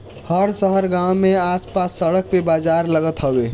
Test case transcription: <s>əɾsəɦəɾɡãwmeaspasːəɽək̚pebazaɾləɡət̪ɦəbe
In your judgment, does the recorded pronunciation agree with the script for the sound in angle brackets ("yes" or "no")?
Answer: no